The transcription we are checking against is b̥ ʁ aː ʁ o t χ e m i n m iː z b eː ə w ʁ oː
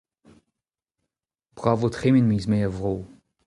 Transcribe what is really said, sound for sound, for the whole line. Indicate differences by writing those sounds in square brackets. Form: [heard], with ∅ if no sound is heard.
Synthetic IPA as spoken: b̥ ʁ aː [v] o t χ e m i n m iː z [m] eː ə [v] ʁ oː